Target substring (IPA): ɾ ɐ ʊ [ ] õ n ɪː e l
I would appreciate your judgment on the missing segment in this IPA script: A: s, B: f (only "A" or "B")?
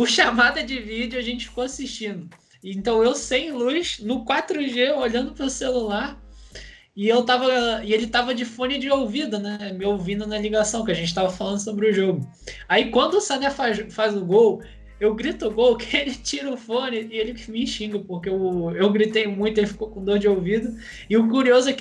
B